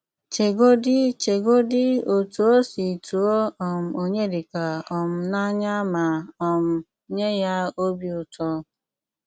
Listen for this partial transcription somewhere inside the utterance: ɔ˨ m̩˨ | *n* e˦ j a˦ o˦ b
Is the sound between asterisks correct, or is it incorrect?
incorrect